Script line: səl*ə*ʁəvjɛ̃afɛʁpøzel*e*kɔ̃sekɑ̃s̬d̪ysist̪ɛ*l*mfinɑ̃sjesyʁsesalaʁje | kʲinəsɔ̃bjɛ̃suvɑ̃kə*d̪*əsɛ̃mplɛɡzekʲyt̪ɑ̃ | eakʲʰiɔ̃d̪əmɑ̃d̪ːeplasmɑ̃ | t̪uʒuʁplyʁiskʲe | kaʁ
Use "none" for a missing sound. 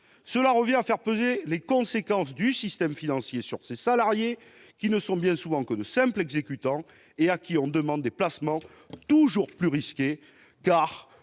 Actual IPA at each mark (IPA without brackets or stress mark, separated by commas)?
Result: a, e, none, d̪